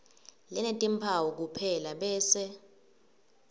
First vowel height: mid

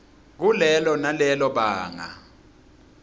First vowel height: high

